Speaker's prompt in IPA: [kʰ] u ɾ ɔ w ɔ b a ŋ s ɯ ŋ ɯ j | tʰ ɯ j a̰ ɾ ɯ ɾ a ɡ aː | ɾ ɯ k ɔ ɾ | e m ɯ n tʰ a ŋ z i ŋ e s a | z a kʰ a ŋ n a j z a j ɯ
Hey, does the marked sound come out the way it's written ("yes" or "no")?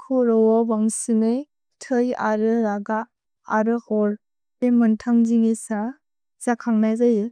yes